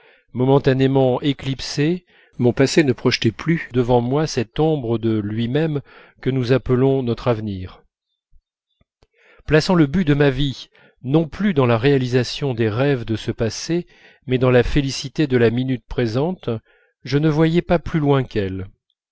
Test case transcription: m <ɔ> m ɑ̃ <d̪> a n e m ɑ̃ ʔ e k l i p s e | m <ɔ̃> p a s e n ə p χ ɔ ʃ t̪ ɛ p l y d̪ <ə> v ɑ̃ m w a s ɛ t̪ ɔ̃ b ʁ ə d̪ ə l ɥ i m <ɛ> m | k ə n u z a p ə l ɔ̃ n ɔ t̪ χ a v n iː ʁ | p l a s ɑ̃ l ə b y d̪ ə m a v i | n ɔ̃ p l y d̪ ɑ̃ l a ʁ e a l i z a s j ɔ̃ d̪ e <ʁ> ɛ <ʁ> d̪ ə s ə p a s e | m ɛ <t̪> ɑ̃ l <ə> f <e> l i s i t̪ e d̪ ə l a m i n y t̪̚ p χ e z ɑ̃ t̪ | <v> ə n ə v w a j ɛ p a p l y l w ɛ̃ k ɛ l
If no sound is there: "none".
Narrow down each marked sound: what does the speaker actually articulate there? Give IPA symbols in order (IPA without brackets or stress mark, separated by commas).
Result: ɔ, t̪, ɔ̃, ə, ɛ, ʁ, v, d̪, a, e, ʒ